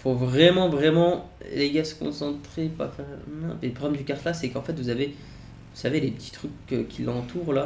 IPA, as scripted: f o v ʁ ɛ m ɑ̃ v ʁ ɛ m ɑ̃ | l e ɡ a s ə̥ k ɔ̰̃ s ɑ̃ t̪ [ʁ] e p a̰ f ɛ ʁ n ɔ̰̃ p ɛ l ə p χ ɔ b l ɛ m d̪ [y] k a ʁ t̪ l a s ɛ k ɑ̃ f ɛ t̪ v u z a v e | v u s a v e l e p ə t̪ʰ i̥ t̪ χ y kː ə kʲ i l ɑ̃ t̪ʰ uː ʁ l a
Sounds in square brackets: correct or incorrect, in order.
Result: incorrect, correct

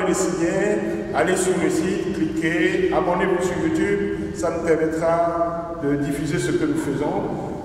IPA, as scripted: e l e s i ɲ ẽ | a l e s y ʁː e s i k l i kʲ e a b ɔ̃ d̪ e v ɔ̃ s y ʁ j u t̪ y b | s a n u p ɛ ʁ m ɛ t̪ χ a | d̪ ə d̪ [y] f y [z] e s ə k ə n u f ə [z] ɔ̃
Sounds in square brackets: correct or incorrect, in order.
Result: incorrect, correct, correct

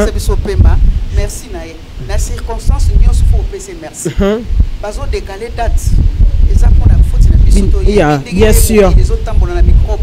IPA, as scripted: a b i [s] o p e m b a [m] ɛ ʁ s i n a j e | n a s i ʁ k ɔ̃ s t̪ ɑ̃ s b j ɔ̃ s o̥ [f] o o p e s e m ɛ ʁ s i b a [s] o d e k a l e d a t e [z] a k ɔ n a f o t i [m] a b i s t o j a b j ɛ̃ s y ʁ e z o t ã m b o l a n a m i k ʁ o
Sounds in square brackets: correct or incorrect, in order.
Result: correct, correct, correct, incorrect, correct, incorrect

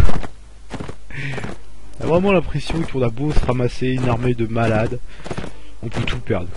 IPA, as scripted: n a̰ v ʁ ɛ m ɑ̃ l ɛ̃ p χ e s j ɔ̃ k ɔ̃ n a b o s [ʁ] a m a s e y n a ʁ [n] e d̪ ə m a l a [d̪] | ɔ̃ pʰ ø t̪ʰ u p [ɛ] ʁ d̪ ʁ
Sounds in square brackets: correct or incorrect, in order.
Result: correct, incorrect, correct, correct

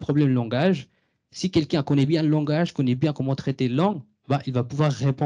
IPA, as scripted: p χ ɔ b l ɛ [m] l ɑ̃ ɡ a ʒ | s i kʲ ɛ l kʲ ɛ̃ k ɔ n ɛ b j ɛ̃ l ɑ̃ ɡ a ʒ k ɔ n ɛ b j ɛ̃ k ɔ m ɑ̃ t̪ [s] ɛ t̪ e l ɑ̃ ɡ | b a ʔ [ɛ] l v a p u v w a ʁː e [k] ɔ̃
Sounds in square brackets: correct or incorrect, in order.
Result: correct, incorrect, incorrect, incorrect

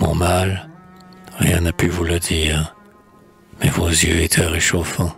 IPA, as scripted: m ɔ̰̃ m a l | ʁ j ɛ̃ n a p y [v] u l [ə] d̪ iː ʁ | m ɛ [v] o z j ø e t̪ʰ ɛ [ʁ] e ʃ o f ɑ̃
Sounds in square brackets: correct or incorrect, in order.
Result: correct, correct, correct, correct

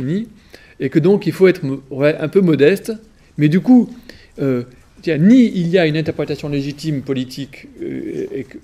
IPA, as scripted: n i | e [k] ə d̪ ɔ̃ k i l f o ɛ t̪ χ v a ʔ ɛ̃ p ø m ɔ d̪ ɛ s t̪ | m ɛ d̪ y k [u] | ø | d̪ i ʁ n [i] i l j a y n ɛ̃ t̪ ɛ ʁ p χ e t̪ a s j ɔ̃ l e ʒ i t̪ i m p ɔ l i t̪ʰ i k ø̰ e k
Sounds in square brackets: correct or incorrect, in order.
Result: correct, correct, correct

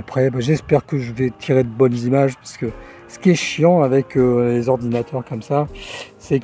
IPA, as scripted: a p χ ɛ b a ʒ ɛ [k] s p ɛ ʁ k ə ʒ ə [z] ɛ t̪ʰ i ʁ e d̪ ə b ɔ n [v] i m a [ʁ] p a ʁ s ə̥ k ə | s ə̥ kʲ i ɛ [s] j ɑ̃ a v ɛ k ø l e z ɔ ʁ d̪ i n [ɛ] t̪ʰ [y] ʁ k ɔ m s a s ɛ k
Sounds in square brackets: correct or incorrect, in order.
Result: incorrect, incorrect, incorrect, incorrect, incorrect, incorrect, incorrect

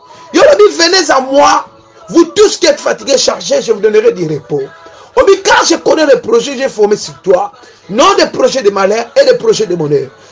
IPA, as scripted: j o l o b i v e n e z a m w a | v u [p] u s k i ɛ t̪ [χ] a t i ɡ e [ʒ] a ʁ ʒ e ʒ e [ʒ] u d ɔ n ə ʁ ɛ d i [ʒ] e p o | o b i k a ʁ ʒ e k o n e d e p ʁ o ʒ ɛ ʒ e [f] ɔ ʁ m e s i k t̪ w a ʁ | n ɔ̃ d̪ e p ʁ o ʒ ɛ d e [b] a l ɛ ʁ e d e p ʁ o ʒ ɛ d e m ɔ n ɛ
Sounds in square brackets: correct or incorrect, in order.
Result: incorrect, incorrect, incorrect, incorrect, incorrect, correct, incorrect

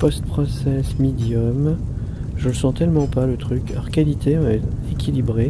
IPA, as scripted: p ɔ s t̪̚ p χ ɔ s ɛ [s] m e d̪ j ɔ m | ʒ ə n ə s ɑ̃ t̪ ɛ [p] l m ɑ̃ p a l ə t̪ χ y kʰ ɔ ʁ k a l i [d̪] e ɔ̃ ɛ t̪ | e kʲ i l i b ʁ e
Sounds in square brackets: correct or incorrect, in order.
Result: correct, incorrect, incorrect

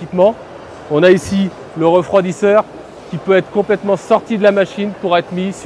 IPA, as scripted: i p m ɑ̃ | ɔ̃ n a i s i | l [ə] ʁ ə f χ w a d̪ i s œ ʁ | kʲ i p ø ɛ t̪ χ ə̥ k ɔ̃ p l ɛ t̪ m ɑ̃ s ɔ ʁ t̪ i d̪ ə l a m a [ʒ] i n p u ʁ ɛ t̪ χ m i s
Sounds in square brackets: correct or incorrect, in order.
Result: correct, incorrect

